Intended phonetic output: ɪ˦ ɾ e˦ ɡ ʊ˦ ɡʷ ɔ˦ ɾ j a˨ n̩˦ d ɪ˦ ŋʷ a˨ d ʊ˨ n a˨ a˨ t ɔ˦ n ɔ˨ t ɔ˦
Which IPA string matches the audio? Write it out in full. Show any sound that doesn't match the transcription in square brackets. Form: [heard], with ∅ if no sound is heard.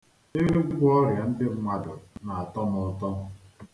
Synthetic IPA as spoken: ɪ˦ ɾ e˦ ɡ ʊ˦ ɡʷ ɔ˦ ɾ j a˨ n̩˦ d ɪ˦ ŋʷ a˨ d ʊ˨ n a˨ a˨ t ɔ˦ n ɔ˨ t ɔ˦

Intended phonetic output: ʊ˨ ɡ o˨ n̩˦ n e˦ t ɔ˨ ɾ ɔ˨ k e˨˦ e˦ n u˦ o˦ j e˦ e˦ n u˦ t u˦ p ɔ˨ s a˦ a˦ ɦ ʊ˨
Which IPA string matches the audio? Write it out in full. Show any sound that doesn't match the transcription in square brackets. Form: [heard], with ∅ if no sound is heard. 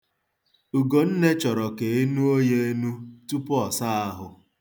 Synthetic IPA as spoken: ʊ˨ ɡ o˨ n̩˦ n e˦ [t͡ʃ] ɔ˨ ɾ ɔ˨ k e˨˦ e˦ n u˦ o˦ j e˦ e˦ n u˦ t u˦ p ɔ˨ s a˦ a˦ ɦ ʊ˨

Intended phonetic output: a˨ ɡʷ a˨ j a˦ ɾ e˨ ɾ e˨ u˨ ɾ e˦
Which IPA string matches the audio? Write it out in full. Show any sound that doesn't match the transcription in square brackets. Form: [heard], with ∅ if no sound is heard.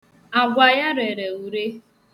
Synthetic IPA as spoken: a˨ ɡʷ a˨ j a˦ ɾ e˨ ɾ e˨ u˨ ɾ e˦

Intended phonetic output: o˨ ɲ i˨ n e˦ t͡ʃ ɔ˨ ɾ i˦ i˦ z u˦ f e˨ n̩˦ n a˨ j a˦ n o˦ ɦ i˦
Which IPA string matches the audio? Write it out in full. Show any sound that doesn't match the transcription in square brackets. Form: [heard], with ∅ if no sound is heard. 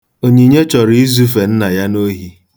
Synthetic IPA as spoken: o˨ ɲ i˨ [ɲ] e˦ t͡ʃ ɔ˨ ɾ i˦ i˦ z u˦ f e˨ n̩˦ n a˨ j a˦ n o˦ ɦ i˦

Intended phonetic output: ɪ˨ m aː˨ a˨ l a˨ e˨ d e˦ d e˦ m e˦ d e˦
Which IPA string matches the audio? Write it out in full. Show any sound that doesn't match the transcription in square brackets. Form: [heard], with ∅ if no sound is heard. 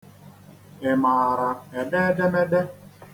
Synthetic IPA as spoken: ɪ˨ m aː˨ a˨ [ɾ] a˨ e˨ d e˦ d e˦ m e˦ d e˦

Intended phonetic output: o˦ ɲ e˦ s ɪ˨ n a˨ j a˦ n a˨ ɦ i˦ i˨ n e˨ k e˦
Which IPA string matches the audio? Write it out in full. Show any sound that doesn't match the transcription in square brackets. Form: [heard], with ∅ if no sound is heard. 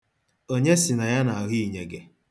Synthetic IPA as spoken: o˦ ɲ e˦ s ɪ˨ n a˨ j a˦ n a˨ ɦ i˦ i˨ [ɲ] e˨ [ɡ] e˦

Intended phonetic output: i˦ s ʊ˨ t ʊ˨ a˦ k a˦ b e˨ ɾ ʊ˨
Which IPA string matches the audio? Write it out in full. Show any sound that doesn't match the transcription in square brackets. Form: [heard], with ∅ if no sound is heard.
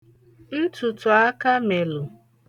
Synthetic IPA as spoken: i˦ [t] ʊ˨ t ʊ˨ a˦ k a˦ [m] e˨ [l] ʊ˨

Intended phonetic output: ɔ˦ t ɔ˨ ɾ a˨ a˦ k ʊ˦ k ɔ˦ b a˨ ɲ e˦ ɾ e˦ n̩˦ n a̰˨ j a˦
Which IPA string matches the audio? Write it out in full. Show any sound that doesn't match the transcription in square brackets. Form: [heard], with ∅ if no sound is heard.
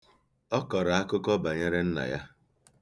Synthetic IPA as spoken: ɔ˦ [k] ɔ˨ ɾ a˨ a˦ k ʊ˦ k ɔ˦ b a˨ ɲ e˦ ɾ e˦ n̩˦ n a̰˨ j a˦

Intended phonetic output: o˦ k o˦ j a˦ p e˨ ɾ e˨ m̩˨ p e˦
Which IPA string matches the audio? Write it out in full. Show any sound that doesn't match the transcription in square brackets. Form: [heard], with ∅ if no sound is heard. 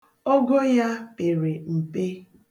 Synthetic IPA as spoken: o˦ [ɡ] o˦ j a˦ p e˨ ɾ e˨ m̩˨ p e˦

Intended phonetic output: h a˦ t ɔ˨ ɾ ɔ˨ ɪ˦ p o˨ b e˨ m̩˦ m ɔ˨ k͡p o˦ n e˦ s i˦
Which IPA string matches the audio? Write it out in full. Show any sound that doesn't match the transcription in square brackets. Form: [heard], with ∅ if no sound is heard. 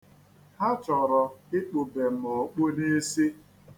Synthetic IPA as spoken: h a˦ [t͡ʃ] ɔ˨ ɾ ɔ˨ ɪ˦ [k͡p] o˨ b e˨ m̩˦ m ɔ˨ k͡p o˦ n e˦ s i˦

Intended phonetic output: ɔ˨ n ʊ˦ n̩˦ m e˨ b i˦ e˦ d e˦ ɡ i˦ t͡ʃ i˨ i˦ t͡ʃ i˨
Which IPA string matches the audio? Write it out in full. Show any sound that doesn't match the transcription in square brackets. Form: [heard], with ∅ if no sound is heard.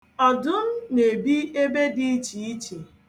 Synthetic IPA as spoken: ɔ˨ [d] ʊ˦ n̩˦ [n] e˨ b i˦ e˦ [b] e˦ [d] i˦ t͡ʃ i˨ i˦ t͡ʃ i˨

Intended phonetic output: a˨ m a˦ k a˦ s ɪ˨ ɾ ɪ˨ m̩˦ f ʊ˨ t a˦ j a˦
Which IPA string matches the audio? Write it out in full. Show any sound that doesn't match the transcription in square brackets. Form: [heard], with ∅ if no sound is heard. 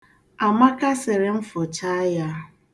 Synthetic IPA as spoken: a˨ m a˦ k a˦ s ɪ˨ ɾ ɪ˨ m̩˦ f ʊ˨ [t͡ʃ] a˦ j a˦

